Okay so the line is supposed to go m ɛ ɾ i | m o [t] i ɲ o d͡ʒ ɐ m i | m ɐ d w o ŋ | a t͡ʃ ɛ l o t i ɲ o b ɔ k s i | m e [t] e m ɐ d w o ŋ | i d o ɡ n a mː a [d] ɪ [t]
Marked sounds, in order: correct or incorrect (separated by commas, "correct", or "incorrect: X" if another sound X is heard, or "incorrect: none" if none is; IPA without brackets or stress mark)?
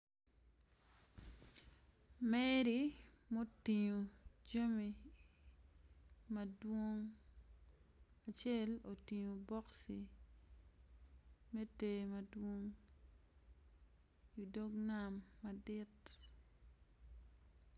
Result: correct, correct, correct, correct